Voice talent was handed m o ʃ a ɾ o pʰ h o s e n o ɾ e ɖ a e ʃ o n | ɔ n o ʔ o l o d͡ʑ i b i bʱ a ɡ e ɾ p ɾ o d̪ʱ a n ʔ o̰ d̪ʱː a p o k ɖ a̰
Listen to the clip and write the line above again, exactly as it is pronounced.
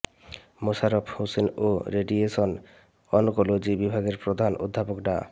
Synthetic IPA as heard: m o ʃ a ɾ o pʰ h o s e n o ɾ e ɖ i e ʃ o n | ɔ n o k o l o d͡ʑ i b i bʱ a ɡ e ɾ p ɾ o d̪ʱ a n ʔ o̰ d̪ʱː a p o k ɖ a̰